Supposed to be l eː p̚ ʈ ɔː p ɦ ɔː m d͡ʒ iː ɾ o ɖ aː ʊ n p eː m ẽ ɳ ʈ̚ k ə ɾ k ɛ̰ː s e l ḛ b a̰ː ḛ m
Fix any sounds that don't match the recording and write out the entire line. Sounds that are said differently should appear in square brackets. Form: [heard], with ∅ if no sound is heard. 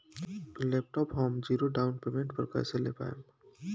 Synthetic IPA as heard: l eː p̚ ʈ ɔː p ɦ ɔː m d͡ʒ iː ɾ o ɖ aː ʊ n p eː m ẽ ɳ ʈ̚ [p] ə ɾ k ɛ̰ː s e l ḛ [p] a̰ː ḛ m